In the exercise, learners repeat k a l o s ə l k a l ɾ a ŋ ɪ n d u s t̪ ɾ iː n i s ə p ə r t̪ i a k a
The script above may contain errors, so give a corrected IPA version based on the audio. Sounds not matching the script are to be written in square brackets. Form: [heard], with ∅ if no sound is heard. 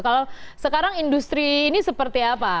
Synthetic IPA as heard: k a l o s ə [∅] k a [∅] ɾ a ŋ [i] n d u s t̪ ɾ iː n i s ə p ə r t̪ i a [p] a